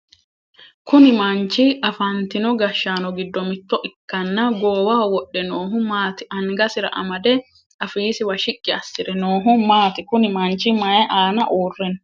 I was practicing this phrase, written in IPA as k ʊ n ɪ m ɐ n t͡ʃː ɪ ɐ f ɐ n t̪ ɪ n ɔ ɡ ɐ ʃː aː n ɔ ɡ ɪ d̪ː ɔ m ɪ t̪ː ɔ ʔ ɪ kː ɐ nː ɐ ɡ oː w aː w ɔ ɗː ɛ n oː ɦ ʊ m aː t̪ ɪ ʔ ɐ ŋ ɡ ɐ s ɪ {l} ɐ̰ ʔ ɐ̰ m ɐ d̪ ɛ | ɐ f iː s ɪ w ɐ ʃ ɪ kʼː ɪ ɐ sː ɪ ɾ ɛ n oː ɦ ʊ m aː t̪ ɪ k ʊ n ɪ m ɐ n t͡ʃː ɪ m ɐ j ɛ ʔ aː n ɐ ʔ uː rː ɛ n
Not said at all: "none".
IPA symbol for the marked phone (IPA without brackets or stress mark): ɾ